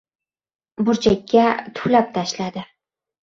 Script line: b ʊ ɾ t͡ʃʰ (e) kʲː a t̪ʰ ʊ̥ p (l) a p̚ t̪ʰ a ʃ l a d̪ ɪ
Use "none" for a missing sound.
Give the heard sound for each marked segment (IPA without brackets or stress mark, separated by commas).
a, l